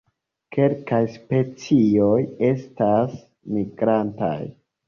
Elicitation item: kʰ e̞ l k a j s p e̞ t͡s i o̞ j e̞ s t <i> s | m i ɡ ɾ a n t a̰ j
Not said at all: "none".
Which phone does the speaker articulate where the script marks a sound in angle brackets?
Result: a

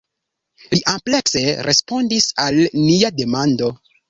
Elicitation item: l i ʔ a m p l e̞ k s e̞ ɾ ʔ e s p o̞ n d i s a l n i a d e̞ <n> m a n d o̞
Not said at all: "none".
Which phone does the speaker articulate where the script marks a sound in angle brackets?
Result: none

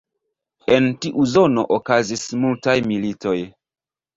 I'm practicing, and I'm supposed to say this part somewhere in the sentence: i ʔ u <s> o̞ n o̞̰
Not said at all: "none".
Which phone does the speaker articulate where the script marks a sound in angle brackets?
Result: z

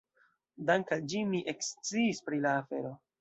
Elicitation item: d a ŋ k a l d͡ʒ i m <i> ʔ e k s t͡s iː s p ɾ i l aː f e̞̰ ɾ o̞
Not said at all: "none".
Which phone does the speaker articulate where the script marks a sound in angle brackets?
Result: i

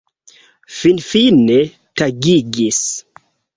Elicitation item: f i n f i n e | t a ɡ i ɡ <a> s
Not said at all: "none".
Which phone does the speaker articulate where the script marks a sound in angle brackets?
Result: i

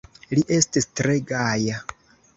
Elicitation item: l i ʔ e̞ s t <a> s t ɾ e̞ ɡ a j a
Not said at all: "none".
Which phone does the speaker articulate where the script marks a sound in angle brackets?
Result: i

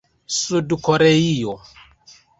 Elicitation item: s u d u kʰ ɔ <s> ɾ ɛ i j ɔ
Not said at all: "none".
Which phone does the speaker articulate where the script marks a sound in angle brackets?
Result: none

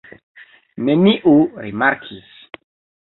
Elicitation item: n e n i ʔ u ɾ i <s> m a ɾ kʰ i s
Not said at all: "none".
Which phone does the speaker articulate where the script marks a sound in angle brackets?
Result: none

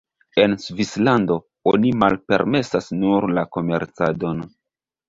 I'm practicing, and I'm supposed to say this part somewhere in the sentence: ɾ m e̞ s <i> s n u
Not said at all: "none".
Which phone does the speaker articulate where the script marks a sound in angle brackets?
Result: a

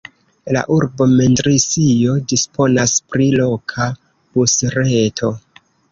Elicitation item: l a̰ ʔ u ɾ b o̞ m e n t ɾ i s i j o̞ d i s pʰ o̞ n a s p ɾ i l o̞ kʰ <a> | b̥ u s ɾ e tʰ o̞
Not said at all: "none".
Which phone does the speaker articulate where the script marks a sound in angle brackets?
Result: a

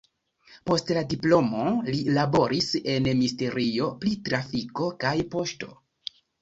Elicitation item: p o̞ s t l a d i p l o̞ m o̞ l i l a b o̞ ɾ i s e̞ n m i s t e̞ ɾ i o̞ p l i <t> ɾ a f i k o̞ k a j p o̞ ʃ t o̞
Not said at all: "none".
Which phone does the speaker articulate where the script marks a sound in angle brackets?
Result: t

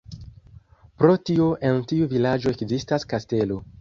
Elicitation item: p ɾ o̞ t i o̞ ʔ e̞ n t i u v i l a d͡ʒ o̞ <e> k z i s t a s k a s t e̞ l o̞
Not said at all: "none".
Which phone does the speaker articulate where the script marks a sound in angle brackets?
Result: e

